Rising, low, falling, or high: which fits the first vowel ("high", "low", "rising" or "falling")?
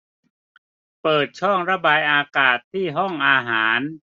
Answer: low